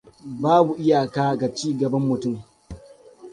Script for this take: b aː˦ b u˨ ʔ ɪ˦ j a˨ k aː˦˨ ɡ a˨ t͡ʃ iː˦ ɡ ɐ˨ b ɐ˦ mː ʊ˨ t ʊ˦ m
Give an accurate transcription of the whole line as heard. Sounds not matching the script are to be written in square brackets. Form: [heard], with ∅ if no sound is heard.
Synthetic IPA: b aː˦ b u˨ ʔ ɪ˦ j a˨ k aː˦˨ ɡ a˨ t͡ʃ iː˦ ɡ ɐ˨ b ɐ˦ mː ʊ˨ t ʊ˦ m